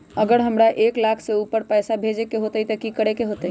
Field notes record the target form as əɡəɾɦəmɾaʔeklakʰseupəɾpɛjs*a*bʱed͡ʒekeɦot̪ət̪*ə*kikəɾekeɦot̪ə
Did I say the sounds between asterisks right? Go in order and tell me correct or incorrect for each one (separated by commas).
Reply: correct, correct